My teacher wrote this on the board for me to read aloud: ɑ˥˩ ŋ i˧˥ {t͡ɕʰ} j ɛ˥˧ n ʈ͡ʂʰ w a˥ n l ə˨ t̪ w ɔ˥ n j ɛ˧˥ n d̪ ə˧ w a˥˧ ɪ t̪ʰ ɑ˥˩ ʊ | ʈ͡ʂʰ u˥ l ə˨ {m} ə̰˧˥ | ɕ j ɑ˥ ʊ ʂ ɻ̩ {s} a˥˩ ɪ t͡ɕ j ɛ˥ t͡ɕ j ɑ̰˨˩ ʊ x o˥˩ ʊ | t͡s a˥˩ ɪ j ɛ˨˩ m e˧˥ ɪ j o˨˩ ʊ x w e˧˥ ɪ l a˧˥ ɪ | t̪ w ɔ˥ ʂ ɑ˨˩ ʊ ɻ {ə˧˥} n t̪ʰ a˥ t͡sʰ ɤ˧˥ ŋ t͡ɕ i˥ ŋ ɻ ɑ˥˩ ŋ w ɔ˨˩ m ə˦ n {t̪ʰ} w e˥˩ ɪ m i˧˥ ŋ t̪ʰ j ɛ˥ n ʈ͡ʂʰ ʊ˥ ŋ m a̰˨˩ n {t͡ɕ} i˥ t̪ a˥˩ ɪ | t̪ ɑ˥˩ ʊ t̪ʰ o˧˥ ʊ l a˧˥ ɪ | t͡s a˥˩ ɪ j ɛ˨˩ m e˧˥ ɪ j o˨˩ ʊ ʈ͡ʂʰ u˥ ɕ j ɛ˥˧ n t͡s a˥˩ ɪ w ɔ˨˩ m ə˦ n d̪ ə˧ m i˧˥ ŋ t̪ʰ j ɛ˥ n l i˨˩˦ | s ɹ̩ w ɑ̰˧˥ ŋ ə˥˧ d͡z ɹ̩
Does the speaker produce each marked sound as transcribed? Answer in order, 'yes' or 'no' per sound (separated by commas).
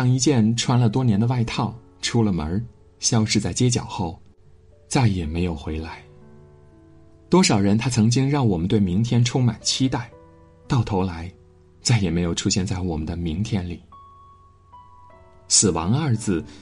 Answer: no, yes, no, yes, no, no